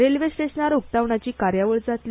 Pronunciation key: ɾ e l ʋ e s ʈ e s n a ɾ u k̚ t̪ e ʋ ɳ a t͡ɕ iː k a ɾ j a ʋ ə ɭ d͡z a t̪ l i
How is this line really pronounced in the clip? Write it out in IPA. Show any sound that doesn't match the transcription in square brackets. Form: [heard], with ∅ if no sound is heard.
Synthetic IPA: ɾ e l ʋ e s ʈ e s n a ɾ u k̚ t̪ [a] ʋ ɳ a t͡ɕ iː k a ɾ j a ʋ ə ɭ d͡z a t̪ l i

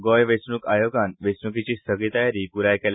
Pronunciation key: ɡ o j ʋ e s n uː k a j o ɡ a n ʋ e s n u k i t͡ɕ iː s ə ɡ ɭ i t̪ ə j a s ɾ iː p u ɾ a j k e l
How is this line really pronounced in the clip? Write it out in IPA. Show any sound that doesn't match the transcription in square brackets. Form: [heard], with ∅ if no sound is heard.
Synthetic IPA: ɡ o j ʋ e s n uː k a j o ɡ a n ʋ e s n u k i t͡ɕ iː s ə ɡ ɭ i t̪ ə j a [∅] ɾ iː p u ɾ a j k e l

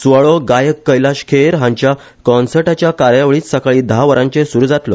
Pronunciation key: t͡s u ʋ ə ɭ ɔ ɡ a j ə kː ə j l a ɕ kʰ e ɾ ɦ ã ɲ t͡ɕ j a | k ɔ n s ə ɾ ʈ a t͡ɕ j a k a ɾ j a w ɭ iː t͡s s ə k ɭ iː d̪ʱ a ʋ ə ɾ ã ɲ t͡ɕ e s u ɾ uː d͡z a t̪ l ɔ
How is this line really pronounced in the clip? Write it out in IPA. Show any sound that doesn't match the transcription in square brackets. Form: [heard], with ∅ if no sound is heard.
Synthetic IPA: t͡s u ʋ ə ɭ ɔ ɡ a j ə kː ə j l a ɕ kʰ e ɾ ɦ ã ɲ t͡ɕ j a | k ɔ n s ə ɾ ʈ a t͡ɕ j a k a ɾ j a [ʋ] ɭ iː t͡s s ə k ɭ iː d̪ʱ a ʋ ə ɾ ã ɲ t͡ɕ e s u ɾ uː d͡z a t̪ l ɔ

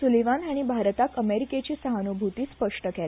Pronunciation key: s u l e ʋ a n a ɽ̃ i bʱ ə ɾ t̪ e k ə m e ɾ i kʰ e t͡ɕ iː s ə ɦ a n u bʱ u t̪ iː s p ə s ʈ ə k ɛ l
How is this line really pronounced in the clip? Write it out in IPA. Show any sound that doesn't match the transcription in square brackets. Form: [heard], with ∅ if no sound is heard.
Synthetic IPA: s u l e ʋ a n a ɽ̃ i bʱ [a] ɾ t̪ [a] k ə m e ɾ i [k] e t͡ɕ iː s ə ɦ a n u bʱ u t̪ iː s p ə [ʂ] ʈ ə k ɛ l

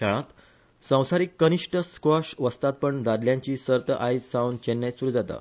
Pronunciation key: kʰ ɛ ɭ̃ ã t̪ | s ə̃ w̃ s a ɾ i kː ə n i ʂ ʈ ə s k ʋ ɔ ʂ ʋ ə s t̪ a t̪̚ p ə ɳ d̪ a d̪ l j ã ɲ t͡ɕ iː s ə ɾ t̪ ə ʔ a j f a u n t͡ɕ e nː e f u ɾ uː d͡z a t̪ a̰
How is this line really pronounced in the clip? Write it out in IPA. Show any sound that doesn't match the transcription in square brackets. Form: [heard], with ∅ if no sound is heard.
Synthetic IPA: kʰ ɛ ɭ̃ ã t̪ | s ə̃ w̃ s a ɾ i kː ə n i ʂ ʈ ə s k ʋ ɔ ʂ ʋ ə s t̪ a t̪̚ p ə ɳ d̪ a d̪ l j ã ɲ t͡ɕ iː s ə ɾ t̪ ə ʔ a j [s] a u n t͡ɕ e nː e [s] u ɾ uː d͡z a t̪ a̰

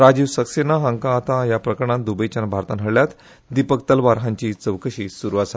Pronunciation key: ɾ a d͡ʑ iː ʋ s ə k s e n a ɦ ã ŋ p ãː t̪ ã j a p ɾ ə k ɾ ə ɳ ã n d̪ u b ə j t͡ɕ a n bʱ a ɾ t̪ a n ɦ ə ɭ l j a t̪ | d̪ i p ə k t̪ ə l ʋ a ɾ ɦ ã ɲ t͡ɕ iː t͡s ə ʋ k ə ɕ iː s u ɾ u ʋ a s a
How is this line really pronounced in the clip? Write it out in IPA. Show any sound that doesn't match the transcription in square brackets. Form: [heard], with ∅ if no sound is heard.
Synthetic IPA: ɾ a d͡ʑ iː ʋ s ə k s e n a ɦ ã ŋ [k] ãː t̪ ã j a p ɾ ə k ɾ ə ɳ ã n d̪ u b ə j t͡ɕ a n bʱ a ɾ t̪ a n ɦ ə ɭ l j a t̪ | d̪ i p ə k t̪ ə l ʋ a ɾ ɦ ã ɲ t͡ɕ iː t͡s ə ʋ k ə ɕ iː s u ɾ u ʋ a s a

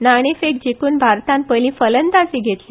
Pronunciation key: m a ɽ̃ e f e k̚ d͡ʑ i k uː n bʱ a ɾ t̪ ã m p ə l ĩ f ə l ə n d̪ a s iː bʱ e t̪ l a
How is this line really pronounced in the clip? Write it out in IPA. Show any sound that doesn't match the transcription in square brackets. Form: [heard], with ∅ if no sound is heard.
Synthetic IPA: [n] a ɽ̃ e f e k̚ d͡ʑ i k uː n bʱ a ɾ t̪ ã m p ə l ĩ f ə l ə n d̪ a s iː [ɡʱ] e t̪ l [i]

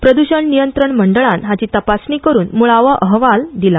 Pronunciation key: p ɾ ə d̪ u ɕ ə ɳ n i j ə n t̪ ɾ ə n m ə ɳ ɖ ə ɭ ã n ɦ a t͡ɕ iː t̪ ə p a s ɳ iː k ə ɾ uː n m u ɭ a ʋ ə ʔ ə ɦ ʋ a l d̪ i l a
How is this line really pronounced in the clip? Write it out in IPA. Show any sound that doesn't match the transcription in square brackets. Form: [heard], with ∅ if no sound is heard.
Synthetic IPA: p ɾ ə d̪ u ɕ ə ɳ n i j ə n t̪ ɾ ə [ɳ] m ə ɳ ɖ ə ɭ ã n ɦ a t͡ɕ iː t̪ ə p a s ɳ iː k ə ɾ uː n m u ɭ a ʋ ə ʔ ə ɦ ʋ a l d̪ i l a

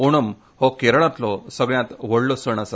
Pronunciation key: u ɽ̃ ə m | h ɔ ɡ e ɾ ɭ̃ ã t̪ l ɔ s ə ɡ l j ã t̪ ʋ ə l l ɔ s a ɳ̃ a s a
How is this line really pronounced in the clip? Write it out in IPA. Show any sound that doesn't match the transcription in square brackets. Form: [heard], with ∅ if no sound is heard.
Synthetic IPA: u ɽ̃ ə m | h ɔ [k] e ɾ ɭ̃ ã t̪ l ɔ s ə ɡ [ɭ] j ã t̪ ʋ ə [ɽ] l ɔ s [ə] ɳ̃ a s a

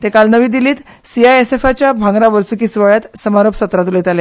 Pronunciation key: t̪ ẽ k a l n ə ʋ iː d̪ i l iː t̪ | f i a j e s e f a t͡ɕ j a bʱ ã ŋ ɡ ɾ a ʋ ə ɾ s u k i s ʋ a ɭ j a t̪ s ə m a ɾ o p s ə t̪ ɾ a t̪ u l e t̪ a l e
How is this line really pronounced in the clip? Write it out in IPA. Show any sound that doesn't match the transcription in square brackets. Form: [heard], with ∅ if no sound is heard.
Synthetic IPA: t̪ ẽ k a l n ə ʋ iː d̪ i l iː t̪ | [s] i a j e s e f a t͡ɕ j a bʱ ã ŋ ɡ ɾ a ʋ ə ɾ s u k i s ʋ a ɭ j a t̪ s ə m a ɾ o p s ə t̪ ɾ a t̪ u l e t̪ a l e

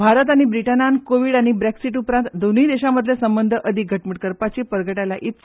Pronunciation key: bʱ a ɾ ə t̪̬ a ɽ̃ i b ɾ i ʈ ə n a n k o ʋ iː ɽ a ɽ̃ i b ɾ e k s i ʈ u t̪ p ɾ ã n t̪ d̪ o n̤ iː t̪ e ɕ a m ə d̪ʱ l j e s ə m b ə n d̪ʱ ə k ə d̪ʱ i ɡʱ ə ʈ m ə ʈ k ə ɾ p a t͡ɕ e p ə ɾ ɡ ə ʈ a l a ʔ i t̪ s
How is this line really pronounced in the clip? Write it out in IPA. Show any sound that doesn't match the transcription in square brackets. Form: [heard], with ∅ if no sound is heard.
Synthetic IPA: bʱ a ɾ ə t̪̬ a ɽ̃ i b ɾ i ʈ ə n a n k o ʋ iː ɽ a ɽ̃ i b ɾ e k s i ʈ u [∅] p ɾ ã n t̪ d̪ o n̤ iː [d̪] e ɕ a m ə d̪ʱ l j e s ə m b ə n d̪ʱ ə [ʔ] ə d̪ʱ i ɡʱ ə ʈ m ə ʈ k ə ɾ p a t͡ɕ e p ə ɾ ɡ ə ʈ a l a ʔ i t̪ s

